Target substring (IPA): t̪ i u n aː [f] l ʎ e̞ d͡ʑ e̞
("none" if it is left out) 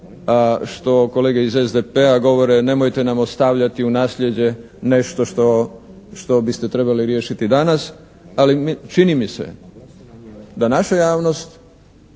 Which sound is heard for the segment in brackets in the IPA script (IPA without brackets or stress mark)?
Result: s